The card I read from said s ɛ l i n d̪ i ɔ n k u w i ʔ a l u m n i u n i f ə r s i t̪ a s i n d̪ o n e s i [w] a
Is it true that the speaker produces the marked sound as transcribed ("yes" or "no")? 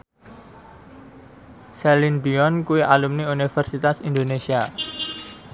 no